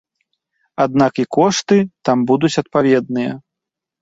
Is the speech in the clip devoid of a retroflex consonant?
no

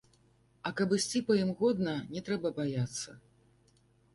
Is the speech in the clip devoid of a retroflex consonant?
yes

